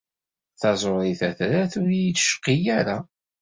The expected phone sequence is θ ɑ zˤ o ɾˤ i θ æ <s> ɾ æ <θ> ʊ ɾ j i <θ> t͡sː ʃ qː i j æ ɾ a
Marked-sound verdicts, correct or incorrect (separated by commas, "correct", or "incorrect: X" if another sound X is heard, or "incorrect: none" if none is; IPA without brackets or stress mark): incorrect: θ, correct, incorrect: none